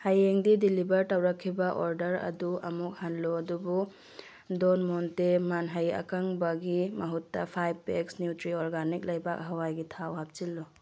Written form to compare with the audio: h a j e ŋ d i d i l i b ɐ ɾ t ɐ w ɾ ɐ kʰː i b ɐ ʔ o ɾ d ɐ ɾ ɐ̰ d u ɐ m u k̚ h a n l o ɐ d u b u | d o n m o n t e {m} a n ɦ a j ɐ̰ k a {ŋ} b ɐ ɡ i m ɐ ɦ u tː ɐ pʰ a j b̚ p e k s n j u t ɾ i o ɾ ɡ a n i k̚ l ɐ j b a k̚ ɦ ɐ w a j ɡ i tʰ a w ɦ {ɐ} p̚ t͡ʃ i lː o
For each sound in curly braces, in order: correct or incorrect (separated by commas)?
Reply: correct, correct, incorrect